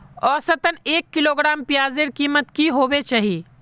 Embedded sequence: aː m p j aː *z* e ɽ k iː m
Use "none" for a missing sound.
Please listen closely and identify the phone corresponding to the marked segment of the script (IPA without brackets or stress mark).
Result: z